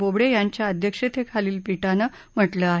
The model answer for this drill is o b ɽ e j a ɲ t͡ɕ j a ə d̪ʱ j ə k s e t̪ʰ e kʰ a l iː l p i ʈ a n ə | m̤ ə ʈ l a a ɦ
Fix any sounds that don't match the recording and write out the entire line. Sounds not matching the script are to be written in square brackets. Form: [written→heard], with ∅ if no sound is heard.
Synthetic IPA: o b ɽ e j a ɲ t͡ɕ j a ə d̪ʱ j ə k [s→ʂ] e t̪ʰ e kʰ a l iː l p i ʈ a n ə | m̤ ə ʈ l [a→ə] a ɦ